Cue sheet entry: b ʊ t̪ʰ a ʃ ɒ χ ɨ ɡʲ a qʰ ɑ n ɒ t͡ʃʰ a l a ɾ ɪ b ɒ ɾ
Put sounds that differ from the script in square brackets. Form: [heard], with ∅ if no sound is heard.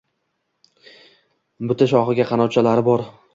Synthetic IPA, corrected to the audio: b ʊ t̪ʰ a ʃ ɒ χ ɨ ɡʲ a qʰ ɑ n ɒ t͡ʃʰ a l a ɾ ɪ b ɒ ɾ

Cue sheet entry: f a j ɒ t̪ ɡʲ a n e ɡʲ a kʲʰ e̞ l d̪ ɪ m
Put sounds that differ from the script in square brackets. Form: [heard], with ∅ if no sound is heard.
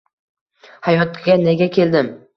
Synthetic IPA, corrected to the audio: [h] a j ɒ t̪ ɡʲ a n e ɡʲ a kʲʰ e̞ l d̪ ɪ m

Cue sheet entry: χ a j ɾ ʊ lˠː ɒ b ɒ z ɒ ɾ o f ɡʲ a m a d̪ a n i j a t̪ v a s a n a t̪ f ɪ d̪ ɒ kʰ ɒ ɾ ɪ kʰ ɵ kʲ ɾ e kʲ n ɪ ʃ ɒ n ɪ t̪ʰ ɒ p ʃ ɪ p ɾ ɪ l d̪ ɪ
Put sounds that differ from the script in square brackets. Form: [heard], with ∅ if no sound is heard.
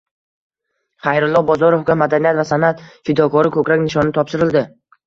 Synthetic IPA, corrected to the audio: χ a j ɾ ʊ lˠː ɒ b ɒ z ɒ ɾ o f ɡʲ a m a d̪ a n i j a t̪ v a s a n a t̪ f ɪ d̪ ɒ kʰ ɒ ɾ ɪ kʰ ɵ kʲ ɾ [a] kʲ n ɪ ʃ ɒ n ɪ t̪ʰ ɒ p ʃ ɪ [∅] ɾ ɪ l d̪ ɪ

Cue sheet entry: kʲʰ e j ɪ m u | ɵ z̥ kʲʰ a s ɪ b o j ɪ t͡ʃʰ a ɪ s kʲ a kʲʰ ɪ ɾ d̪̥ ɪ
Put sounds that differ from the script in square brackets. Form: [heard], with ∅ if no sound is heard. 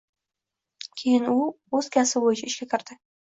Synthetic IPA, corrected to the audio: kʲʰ e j ɪ [n] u | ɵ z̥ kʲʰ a s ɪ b o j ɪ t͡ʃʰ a ɪ [ʃ] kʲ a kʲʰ ɪ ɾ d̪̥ ɪ

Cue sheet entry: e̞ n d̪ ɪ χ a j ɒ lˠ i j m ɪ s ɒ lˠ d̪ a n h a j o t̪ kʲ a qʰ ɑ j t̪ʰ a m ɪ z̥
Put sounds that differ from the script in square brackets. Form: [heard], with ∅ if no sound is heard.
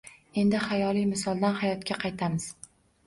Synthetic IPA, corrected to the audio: e̞ n d̪ ɪ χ a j ɒ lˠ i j m ɪ s ɒ lˠ d̪ a n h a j [ɒ] t̪ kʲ a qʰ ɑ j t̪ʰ a m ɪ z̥

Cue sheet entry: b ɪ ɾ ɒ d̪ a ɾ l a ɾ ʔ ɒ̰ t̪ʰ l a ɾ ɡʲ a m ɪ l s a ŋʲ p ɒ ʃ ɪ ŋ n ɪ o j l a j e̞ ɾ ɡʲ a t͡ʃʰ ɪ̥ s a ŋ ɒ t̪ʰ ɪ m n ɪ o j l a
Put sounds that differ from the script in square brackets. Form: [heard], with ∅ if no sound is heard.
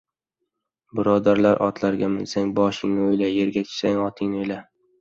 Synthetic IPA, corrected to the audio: b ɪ ɾ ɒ d̪ a ɾ l a ɾ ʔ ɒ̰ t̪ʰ l a ɾ ɡʲ a m ɪ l s a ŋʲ [b] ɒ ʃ ɪ ŋ n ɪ o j l a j e̞ ɾ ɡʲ a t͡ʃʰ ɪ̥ s a ŋ ɒ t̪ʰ ɪ [ŋ] n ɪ o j l a

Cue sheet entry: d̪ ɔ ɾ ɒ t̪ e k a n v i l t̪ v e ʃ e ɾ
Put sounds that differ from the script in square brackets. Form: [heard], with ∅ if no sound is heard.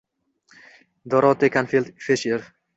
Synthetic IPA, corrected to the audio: d̪ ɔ ɾ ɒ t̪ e k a n [f] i l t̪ [f] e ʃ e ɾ

